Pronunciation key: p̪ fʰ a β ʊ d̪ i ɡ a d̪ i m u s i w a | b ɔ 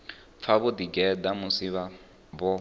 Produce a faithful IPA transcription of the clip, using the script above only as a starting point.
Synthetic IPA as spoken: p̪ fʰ a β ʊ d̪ i ɡ ɛ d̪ a m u s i β a | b ɔ